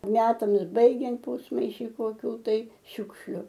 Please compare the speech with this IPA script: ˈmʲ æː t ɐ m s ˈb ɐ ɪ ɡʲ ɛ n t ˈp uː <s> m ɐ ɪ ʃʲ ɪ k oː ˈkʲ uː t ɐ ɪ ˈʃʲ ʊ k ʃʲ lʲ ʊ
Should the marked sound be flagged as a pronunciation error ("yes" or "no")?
no